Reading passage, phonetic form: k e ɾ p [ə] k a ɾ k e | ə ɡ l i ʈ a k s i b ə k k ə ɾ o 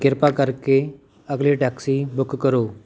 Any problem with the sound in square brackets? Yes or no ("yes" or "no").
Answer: yes